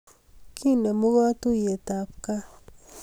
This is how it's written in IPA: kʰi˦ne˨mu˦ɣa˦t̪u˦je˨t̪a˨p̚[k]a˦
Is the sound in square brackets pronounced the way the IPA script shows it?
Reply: yes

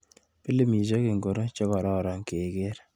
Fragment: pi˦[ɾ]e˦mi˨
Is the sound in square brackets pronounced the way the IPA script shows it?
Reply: no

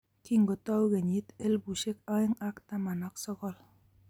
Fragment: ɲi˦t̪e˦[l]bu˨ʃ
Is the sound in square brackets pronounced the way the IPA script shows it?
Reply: yes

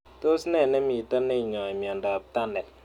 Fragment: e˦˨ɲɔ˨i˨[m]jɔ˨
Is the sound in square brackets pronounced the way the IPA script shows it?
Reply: yes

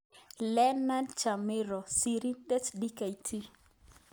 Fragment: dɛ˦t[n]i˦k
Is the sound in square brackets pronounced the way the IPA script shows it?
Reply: no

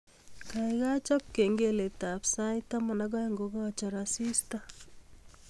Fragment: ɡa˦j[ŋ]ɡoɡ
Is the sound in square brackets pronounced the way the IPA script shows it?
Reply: yes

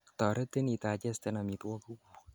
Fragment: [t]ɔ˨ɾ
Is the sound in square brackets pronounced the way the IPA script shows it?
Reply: yes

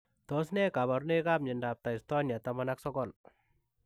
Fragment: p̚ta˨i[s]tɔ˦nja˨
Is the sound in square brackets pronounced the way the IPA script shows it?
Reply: yes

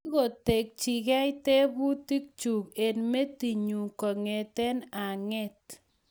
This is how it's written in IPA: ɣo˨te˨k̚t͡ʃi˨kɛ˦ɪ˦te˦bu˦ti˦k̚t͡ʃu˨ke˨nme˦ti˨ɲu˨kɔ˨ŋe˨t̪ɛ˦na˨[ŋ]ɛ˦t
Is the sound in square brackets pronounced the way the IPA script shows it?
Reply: yes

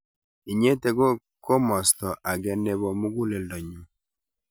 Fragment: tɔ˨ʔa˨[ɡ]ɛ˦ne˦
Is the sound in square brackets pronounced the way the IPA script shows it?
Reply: yes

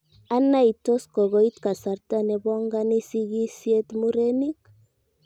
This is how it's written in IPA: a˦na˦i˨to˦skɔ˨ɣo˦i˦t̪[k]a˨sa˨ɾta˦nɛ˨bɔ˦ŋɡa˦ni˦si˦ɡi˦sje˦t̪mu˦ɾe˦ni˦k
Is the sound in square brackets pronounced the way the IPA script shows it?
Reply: yes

